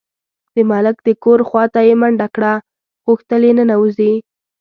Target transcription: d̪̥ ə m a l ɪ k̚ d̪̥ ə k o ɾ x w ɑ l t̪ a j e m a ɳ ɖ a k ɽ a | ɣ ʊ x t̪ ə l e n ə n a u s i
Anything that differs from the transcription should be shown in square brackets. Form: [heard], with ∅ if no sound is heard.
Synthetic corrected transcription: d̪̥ ə m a l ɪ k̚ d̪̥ ə k o ɾ x w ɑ [∅] t̪ a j e m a ɳ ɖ a k ɽ a | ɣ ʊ x t̪ ə l e n ə n a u [z] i